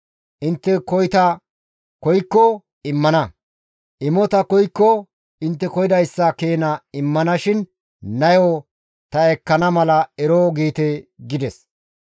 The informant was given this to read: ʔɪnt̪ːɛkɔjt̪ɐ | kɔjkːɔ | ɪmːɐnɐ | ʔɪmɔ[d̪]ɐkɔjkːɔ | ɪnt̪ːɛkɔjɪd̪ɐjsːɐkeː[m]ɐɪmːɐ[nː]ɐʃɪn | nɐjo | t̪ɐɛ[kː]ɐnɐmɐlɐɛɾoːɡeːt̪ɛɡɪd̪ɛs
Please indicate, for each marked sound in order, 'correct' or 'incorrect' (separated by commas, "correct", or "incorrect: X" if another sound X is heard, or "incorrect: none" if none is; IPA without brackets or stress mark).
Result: incorrect: t̪, incorrect: n, incorrect: n, correct